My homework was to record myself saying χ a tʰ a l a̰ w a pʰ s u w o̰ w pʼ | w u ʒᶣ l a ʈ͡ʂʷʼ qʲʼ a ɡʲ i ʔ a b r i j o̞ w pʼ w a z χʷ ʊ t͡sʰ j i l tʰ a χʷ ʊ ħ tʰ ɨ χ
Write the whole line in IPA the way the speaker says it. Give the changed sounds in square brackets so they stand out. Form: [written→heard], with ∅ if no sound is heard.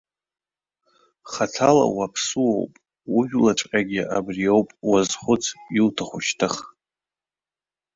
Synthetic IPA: χ a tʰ a l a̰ w a pʰ s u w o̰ w pʼ | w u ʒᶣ l a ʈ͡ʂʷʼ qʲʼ a ɡʲ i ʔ a b r i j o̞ w pʼ w a z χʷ ʊ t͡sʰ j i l tʰ a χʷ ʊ [ħ→ʃ] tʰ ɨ χ